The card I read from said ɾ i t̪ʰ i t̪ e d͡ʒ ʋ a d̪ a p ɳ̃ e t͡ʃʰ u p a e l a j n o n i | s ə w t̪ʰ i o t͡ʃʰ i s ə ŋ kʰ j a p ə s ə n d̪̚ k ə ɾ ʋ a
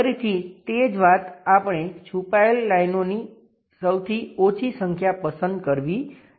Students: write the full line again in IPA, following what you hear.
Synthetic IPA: ɾ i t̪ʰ i t̪ e d͡ʒ ʋ a t̪ a p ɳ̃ e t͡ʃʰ u p a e lː a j n o n i | s ə w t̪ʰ i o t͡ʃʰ i s ə ŋ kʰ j a p ə s ə n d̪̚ k ə ɾ ʋ i

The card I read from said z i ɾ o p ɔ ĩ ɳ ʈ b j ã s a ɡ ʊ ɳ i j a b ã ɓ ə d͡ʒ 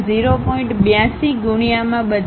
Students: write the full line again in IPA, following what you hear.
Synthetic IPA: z i ɾ o p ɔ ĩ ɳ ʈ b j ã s i ɡ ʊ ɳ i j a m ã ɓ ə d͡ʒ

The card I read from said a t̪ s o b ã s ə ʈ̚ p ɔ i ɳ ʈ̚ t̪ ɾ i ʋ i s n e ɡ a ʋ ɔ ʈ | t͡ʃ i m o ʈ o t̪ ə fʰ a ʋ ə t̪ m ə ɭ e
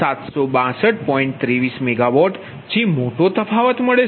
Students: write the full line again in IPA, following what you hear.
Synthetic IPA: a t̪ s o b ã s ə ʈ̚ p ɔ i ɳ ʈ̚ t̪ ɾ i ʋ i s m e ɡ a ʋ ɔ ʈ | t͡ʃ i m o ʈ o t̪ ə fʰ a ʋ ə t̪ m ə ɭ e

